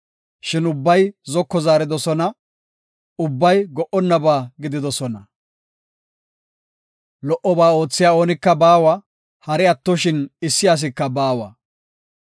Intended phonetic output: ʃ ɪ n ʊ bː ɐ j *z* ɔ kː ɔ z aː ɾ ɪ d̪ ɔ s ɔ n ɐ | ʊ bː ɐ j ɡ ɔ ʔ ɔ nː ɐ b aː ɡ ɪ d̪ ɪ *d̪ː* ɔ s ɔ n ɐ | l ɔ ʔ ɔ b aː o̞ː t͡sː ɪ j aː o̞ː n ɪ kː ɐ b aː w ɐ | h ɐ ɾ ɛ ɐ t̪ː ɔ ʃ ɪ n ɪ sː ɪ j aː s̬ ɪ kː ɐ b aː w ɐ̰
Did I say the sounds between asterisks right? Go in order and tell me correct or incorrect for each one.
correct, incorrect

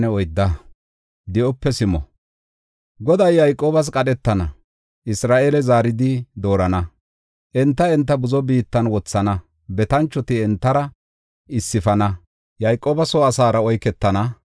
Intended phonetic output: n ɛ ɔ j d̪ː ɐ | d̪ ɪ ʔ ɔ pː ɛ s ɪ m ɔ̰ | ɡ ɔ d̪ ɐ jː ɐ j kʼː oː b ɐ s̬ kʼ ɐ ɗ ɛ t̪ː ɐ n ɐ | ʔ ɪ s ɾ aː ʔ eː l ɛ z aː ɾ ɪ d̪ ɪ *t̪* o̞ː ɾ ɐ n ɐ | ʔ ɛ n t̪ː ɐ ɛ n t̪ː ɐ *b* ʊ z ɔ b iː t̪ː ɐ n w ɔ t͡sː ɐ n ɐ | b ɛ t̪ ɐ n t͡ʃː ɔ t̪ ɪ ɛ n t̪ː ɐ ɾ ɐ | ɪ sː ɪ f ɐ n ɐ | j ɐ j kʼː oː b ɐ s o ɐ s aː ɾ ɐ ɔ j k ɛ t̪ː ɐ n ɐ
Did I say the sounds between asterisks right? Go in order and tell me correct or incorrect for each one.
incorrect, correct

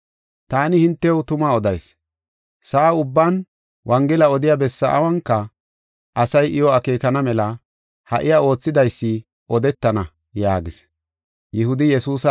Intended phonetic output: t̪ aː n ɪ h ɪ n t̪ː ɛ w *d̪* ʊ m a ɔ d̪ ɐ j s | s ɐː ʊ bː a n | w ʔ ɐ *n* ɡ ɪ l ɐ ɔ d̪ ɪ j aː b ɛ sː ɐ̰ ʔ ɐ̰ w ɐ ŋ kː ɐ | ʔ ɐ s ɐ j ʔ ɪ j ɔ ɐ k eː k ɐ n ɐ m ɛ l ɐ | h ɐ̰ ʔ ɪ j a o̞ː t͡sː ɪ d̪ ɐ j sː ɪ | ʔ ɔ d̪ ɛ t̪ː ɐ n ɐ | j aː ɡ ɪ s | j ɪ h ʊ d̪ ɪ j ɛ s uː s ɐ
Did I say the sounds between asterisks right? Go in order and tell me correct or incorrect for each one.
incorrect, incorrect

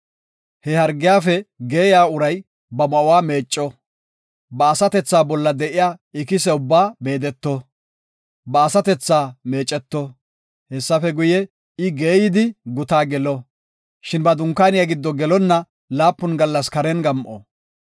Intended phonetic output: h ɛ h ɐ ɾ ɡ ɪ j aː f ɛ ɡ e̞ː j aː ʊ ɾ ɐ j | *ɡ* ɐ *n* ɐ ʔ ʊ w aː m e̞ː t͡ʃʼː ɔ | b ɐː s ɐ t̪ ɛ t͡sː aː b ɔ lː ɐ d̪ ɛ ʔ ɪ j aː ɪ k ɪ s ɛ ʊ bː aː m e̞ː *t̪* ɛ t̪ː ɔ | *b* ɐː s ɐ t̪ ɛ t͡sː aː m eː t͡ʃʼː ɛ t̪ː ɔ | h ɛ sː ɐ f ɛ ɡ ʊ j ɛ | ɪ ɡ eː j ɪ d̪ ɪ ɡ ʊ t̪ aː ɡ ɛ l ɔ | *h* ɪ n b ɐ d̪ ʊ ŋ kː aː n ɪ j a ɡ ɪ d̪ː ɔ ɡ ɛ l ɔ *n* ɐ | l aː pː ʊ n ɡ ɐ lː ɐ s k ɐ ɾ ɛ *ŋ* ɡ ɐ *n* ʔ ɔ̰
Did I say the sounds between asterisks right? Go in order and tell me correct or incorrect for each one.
incorrect, incorrect, incorrect, correct, incorrect, incorrect, incorrect, incorrect

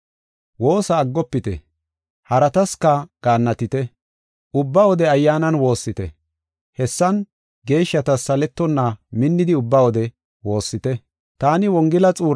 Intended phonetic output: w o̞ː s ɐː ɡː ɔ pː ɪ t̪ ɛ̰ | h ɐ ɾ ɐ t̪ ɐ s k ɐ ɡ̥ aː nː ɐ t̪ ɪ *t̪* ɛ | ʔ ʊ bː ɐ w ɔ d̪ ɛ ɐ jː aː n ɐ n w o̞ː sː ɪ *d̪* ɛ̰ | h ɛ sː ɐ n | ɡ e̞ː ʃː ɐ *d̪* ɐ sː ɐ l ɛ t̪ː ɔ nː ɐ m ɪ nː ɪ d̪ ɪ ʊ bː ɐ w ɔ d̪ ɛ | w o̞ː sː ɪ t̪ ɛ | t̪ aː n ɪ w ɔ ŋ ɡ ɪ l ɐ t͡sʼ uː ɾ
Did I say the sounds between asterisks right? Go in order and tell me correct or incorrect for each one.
correct, incorrect, incorrect

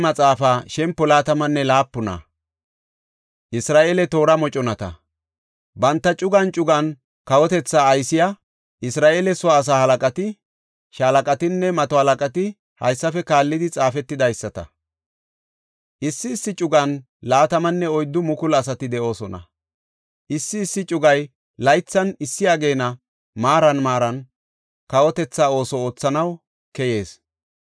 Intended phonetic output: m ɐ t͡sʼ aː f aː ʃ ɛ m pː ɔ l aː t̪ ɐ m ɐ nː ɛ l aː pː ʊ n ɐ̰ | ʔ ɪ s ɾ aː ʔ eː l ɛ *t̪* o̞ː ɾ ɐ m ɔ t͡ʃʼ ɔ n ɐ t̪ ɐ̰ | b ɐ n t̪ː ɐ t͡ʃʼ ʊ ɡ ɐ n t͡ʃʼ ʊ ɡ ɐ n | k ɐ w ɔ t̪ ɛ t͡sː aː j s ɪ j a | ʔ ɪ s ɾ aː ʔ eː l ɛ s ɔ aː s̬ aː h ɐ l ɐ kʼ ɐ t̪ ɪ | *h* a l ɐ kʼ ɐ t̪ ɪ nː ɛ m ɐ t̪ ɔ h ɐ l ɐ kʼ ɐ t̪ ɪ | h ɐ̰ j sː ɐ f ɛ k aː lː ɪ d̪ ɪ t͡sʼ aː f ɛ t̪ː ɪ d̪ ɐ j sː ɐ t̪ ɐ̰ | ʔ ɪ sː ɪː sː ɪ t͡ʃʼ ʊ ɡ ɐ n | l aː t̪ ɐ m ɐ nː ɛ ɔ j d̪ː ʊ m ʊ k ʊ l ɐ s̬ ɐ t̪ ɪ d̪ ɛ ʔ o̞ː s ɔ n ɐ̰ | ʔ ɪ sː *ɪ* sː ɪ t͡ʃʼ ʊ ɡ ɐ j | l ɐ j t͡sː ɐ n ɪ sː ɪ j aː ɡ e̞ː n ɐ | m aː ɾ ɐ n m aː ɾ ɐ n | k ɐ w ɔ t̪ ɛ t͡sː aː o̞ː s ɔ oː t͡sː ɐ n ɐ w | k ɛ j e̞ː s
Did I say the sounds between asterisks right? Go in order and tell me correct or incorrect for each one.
correct, incorrect, incorrect

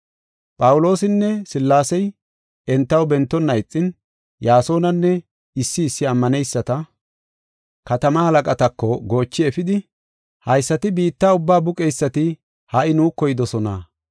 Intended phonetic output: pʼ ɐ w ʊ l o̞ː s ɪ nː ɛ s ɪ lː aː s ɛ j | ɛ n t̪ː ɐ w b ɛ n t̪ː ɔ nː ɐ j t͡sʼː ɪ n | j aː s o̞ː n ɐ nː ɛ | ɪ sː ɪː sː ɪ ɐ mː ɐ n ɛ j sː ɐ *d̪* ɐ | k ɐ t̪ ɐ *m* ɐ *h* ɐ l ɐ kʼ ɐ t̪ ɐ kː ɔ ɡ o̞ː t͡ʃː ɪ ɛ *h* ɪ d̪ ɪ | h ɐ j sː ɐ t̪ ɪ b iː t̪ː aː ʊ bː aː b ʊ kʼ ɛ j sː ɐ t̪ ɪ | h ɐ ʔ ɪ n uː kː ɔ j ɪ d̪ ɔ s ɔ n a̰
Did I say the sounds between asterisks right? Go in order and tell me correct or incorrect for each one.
incorrect, correct, correct, incorrect

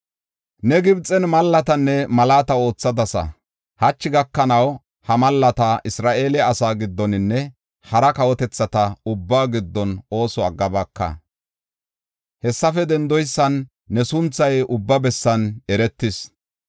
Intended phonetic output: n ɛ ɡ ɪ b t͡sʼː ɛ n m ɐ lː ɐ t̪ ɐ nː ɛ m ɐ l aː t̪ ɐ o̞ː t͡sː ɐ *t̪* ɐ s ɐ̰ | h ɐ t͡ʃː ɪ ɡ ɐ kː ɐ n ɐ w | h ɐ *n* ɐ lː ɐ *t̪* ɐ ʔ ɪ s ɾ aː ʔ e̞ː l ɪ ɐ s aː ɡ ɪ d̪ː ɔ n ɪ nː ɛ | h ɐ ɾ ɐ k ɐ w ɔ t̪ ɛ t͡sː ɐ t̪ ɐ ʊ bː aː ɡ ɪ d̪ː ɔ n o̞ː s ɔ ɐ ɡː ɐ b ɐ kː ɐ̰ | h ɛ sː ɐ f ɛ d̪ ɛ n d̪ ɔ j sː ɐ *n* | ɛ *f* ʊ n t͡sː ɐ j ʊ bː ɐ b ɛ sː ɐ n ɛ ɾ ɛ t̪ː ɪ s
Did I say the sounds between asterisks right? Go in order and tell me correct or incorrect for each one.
incorrect, incorrect, correct, incorrect, incorrect

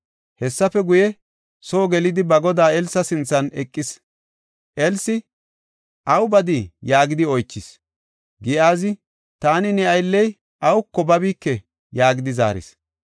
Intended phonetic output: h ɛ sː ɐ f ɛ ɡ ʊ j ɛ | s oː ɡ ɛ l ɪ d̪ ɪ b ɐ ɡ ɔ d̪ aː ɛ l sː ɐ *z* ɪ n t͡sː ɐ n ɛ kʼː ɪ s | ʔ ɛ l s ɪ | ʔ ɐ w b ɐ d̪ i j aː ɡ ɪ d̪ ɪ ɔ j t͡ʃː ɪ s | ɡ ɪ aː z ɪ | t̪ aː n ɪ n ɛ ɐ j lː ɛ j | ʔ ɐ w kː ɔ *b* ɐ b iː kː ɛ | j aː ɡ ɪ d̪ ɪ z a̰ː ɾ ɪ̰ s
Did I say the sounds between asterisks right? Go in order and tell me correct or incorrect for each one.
incorrect, correct

